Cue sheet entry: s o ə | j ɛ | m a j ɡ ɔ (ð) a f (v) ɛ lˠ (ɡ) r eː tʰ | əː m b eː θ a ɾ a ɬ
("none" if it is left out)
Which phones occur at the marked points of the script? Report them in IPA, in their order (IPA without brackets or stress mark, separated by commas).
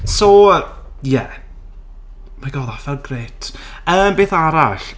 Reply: ð, v, ɡ